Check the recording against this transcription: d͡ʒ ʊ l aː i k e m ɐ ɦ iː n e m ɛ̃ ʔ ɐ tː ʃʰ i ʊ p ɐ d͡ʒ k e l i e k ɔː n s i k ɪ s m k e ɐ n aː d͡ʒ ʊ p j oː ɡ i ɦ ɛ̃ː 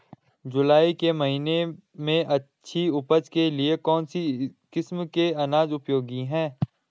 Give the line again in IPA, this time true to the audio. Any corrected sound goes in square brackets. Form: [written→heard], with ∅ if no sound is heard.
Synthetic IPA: d͡ʒ ʊ l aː i k e m ɐ ɦ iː n e m [ɛ̃→ẽ] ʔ ɐ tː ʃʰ i ʊ p [ɐ→ə] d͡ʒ k e l i e k ɔː n s i k ɪ s m k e ɐ n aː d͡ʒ ʊ p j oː ɡ i ɦ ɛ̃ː